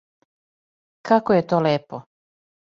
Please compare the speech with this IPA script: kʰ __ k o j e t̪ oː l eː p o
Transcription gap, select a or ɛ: a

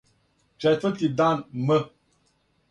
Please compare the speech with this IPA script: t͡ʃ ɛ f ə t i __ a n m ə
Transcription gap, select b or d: d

